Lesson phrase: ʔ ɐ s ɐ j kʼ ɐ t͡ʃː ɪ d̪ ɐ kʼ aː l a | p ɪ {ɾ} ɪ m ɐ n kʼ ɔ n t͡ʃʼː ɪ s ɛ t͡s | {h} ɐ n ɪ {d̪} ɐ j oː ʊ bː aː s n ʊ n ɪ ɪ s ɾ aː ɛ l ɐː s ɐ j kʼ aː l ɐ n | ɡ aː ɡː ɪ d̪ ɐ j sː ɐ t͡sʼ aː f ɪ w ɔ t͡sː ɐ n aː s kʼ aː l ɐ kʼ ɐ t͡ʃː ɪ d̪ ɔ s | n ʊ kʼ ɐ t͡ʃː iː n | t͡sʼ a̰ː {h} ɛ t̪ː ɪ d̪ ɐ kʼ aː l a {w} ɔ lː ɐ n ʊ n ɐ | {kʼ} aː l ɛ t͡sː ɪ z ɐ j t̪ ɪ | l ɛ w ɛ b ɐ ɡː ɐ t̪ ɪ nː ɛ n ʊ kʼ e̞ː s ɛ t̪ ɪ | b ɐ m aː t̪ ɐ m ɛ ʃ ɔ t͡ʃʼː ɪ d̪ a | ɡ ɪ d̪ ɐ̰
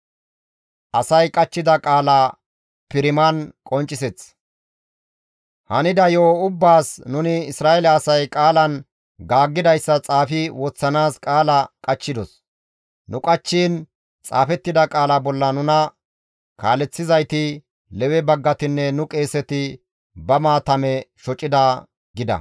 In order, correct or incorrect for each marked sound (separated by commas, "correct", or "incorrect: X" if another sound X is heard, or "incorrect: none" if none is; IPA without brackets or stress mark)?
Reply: correct, correct, correct, incorrect: f, incorrect: b, incorrect: k